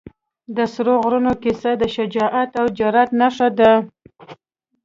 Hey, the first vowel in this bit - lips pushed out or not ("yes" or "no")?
no